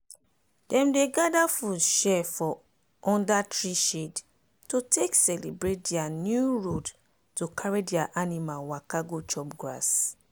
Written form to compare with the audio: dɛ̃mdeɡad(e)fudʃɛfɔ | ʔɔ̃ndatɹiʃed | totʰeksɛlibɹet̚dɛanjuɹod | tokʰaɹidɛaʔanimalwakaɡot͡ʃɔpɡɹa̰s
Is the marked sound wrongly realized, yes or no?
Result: yes